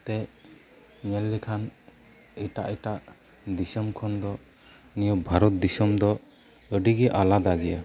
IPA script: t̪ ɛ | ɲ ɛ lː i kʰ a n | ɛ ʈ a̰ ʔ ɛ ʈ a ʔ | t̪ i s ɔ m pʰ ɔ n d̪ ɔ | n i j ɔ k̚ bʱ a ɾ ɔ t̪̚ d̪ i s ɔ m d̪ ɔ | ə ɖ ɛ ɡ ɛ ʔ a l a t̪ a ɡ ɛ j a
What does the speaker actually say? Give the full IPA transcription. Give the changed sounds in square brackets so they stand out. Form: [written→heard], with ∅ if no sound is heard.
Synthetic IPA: t̪ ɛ | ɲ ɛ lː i kʰ a n | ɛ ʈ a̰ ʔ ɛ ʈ a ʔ | [t̪→d̪] i s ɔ m [pʰ→kʰ] ɔ n d̪ ɔ | n i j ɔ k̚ bʱ a ɾ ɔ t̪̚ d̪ i s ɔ m d̪ ɔ | ə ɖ [ɛ→i] ɡ ɛ ʔ a l a [t̪→d̪] a ɡ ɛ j a

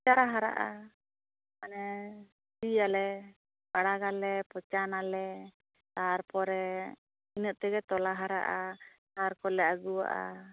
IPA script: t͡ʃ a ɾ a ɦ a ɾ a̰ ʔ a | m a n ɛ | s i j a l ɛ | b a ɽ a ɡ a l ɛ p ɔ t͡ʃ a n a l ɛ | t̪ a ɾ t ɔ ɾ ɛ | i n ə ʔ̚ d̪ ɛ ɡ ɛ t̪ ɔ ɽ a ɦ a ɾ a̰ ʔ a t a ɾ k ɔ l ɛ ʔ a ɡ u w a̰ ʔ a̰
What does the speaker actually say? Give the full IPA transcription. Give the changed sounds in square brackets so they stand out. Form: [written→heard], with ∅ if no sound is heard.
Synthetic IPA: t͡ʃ a ɾ a ɦ a ɾ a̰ ʔ a | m a n ɛ | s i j a l ɛ | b a ɽ a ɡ a l ɛ p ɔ t͡ʃ a n a l ɛ | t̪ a ɾ [t→p] ɔ ɾ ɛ | i n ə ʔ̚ [d̪→t̪] ɛ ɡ ɛ t̪ ɔ [ɽ→l] a ɦ a ɾ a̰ ʔ a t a ɾ k ɔ l ɛ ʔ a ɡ u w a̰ ʔ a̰

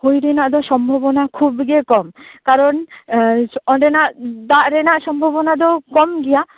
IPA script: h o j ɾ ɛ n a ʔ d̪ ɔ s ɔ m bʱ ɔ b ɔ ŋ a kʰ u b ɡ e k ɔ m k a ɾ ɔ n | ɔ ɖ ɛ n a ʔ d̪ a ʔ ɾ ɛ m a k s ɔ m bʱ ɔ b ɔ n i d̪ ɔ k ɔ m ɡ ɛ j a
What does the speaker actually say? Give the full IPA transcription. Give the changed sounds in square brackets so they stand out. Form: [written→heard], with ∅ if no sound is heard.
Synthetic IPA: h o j ɾ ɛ n a ʔ d̪ ɔ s ɔ m bʱ ɔ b ɔ [ŋ→n] a kʰ u b ɡ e k ɔ m k a ɾ ɔ n | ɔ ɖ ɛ n a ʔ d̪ a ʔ ɾ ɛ [m→n] a [k→ʔ] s ɔ m bʱ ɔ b ɔ n [i→a] d̪ ɔ k ɔ m ɡ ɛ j a

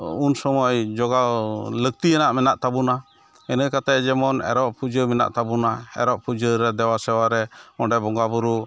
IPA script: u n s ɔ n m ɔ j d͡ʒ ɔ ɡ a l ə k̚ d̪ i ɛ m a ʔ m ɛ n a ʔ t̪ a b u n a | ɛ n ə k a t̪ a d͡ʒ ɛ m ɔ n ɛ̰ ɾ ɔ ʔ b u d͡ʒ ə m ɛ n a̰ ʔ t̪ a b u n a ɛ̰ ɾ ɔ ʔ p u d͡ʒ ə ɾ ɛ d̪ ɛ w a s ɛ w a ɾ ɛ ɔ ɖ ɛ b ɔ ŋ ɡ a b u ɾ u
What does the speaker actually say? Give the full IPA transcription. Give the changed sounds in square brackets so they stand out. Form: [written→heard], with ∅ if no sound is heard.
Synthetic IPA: u n s ɔ [n→∅] m ɔ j d͡ʒ ɔ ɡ a l ə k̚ [d̪→t̪] i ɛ [m→n] a ʔ m ɛ n a ʔ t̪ a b u n a | ɛ n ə k a t̪ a d͡ʒ ɛ m ɔ n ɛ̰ ɾ ɔ ʔ [b→p] u d͡ʒ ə m ɛ n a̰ ʔ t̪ a b u n a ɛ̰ ɾ ɔ ʔ p u d͡ʒ ə ɾ ɛ d̪ ɛ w a s ɛ w a ɾ ɛ ɔ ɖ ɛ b ɔ ŋ ɡ a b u ɾ u

